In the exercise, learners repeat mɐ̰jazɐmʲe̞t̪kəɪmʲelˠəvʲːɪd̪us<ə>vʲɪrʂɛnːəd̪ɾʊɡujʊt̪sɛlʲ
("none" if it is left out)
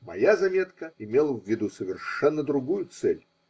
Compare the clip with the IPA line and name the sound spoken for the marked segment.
ə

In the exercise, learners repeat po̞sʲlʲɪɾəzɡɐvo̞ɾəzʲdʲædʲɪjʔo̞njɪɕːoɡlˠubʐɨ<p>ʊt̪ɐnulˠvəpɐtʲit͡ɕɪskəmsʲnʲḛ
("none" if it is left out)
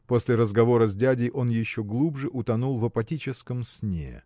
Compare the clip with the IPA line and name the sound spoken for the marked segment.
ʔ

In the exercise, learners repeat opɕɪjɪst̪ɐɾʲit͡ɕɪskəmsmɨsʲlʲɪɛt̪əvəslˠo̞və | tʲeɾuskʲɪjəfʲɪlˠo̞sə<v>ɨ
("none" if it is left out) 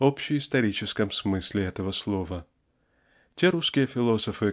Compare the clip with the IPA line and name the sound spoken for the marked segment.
f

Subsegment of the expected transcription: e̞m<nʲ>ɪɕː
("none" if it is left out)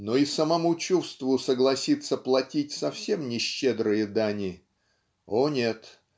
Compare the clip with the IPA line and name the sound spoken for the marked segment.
nʲ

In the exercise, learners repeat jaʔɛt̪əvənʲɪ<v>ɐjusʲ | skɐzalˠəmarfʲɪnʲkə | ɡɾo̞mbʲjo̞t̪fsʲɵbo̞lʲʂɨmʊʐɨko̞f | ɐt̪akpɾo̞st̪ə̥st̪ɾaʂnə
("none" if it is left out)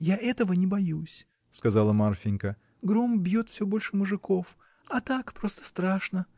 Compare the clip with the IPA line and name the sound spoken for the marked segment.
b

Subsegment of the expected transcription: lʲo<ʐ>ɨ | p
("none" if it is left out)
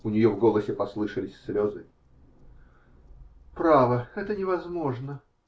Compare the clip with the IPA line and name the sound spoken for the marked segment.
z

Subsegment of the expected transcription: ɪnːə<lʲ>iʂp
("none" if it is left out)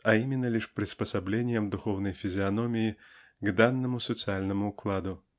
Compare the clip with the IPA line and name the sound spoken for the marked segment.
lʲ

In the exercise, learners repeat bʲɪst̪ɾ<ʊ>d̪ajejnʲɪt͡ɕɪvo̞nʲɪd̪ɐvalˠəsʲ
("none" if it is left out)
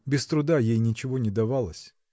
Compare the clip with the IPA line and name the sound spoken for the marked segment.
ʊ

